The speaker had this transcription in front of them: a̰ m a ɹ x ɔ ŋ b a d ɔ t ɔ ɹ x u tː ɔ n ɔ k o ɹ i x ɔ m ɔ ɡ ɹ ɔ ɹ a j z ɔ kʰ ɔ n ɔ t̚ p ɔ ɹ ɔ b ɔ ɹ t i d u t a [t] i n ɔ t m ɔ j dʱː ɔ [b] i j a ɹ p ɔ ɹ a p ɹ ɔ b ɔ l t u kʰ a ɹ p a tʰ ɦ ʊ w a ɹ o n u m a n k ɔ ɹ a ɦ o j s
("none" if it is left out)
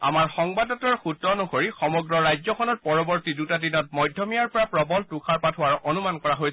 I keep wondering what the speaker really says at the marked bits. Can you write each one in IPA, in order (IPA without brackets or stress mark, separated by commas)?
d, m